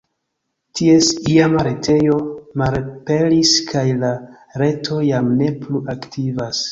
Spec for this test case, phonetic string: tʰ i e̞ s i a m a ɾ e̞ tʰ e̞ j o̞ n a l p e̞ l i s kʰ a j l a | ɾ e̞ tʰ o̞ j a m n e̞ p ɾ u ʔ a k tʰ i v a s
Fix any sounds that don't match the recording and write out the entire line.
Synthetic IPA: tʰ i e̞ s i a m a ɾ e̞ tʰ e̞ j o̞ m a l p e̞ l i s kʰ a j l a | ɾ e̞ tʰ o̞ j a m n e̞ p l u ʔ a k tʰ i v a s